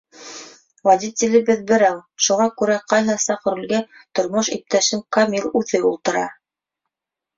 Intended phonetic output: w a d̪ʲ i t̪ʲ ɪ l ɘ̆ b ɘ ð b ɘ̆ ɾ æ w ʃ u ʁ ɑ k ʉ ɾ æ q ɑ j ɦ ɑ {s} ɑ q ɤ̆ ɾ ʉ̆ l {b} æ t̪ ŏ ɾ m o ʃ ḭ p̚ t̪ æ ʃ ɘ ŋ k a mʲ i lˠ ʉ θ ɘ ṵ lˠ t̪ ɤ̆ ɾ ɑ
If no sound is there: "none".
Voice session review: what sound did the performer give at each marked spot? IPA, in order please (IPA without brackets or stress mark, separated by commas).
s, ɡ